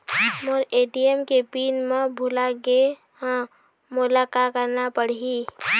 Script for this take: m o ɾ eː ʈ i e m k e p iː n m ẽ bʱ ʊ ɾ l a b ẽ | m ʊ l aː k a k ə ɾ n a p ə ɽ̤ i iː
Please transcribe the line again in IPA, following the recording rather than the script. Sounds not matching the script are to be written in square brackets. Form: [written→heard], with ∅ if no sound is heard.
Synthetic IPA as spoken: m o ɾ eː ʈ i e m k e p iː n m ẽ bʱ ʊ [ɾ→∅] l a [b→ɡ] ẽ | m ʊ l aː k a k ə ɾ n a p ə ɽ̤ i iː